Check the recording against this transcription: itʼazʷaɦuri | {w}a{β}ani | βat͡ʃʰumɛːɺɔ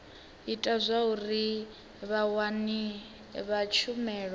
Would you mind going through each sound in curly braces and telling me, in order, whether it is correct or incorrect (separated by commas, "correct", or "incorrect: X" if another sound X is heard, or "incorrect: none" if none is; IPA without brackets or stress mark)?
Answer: incorrect: β, incorrect: w